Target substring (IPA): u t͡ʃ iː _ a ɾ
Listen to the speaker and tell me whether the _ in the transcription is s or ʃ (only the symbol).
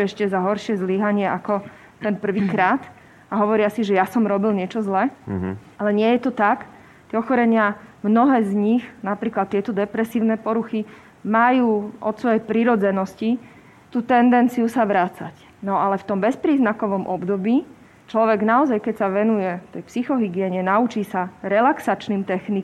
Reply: s